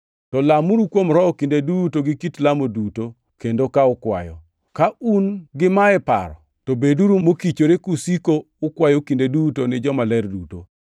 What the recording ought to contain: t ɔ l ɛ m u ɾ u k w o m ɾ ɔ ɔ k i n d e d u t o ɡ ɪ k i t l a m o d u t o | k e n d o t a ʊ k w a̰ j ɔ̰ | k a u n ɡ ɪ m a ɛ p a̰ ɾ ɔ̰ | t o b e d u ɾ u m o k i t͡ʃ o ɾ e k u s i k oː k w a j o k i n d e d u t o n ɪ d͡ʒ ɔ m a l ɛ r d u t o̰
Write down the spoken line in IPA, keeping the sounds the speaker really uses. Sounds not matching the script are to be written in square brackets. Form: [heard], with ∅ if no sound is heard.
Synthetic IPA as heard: t ɔ l [a] m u ɾ u k w o m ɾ ɔ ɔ k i n d e d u t o ɡ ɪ k i t l a m o d u t o | k e n d o [k] a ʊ k w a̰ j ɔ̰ | k a u n ɡ ɪ m a ɛ p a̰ ɾ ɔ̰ | t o b e d u ɾ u m o k i t͡ʃ o ɾ e k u s i k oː k w a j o k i n d e d u t o n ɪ d͡ʒ ɔ m a l ɛ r d u t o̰